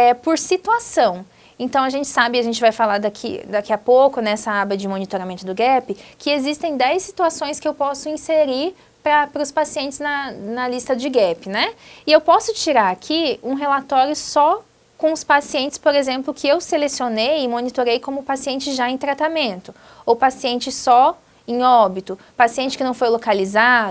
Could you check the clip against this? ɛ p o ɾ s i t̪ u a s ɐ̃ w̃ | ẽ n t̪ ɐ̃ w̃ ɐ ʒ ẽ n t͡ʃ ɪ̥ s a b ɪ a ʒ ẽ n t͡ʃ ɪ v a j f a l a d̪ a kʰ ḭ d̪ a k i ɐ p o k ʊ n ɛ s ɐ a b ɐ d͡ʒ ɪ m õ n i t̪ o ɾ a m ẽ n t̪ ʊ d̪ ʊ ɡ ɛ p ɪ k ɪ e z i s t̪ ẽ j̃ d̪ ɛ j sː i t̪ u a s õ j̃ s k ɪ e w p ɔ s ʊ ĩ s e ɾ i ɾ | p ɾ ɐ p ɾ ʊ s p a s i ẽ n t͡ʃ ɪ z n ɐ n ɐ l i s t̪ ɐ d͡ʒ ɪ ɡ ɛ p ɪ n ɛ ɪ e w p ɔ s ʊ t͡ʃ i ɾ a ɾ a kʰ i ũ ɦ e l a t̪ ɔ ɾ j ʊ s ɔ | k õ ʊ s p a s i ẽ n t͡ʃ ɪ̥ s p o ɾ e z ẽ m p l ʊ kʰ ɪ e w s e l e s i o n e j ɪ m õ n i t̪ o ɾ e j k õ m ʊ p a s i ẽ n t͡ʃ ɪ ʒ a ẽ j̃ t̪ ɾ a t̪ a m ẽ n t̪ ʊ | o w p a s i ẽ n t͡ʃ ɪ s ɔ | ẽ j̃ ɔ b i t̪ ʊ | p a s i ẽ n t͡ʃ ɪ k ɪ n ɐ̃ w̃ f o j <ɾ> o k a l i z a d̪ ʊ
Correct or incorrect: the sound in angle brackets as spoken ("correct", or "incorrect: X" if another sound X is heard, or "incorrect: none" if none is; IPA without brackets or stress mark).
incorrect: l